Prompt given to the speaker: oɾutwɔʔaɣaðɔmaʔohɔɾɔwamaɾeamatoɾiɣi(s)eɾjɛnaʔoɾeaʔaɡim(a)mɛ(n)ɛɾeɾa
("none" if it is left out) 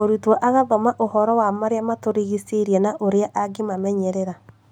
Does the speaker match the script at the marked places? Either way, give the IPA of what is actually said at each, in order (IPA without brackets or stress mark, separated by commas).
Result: s, a, ɲ